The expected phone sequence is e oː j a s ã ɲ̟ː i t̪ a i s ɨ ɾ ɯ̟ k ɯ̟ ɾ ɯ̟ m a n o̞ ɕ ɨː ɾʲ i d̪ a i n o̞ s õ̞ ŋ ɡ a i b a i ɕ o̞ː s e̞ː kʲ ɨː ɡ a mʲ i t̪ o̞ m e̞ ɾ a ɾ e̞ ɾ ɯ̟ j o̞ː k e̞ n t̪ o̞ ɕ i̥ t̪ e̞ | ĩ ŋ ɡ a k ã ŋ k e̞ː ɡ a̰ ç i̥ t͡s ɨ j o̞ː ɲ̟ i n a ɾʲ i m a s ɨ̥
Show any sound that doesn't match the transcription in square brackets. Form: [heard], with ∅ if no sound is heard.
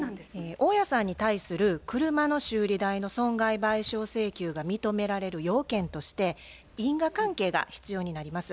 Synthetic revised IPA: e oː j a s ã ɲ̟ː i t̪ a i s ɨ ɾ ɯ̟ k ɯ̟ ɾ ɯ̟ m a n o̞ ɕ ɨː ɾʲ i d̪ a i n o̞ s õ̞ ŋ ɡ a i b a i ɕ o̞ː s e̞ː kʲ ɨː ɡ a mʲ i t̪ o̞ m e̞ ɾ a ɾ e̞ ɾ ɯ̟ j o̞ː k [ẽ̞] n t̪ o̞ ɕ i̥ t̪ e̞ | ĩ ŋ ɡ a k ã ŋ k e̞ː ɡ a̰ ç i̥ t͡s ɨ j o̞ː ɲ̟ i n a ɾʲ i m a s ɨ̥

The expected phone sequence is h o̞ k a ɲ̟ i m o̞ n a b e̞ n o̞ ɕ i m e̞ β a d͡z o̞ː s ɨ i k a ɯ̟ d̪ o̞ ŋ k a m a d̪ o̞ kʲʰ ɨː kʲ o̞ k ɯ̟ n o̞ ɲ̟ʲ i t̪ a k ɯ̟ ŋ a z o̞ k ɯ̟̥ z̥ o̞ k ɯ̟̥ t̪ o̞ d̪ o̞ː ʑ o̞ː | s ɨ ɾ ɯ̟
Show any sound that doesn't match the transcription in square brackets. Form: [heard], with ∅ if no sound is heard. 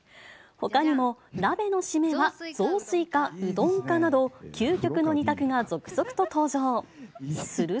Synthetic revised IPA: h o̞ k a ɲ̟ i m o̞ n a b e̞ n o̞ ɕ i m e̞ β a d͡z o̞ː s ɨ i k a ɯ̟ d̪ [õ̞] ŋ k a [n] a d̪ o̞ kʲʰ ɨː kʲ o̞ k ɯ̟ n o̞ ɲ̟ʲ i t̪ a k ɯ̟ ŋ a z o̞ k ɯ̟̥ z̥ o̞ k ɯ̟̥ t̪ o̞ [t̪] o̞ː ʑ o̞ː | s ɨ ɾ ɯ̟

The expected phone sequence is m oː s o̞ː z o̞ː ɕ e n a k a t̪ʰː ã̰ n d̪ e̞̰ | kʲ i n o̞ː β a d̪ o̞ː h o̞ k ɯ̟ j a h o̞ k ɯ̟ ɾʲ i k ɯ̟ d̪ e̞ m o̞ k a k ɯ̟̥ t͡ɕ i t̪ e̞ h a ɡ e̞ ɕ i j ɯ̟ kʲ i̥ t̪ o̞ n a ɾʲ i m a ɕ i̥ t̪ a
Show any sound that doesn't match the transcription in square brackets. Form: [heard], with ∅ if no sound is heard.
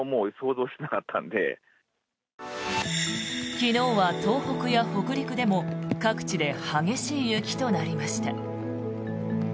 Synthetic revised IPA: m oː s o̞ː z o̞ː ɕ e n a k a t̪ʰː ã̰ n d̪ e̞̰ | kʲ i n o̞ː β a [t̪] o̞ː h o̞ k ɯ̟ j a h o̞ k ɯ̟ ɾʲ i k ɯ̟ d̪ e̞ m o̞ k a k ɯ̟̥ t͡ɕ i [d̪] e̞ h a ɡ e̞ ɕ [iː] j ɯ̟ kʲ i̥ t̪ o̞ n a ɾʲ i m a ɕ i̥ t̪ a

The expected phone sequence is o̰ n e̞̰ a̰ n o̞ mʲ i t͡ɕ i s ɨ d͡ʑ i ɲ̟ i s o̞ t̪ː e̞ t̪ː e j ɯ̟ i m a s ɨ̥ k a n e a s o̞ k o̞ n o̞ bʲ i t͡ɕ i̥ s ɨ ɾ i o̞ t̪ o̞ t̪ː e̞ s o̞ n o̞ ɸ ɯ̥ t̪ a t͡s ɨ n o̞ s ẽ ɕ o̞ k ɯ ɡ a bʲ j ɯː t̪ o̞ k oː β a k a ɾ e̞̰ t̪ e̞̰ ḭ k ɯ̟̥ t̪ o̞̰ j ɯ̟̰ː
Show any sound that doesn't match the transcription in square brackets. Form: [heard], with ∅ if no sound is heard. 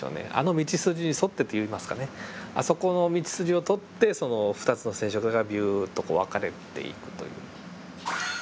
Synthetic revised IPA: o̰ n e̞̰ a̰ n o̞ mʲ i t͡ɕ i s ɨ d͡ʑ i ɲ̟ i s o̞ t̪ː e̞ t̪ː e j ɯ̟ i m a s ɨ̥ k a n e a s o̞ k o̞ n o̞ [mʲ] i t͡ɕ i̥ s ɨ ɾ i o̞ t̪ o̞ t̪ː e̞ s o̞ n o̞ ɸ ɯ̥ t̪ a t͡s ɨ n o̞ s ẽ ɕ o̞ k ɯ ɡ a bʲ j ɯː t̪ o̞ k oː β a k a ɾ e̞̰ t̪ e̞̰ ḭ k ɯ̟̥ t̪ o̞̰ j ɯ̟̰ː

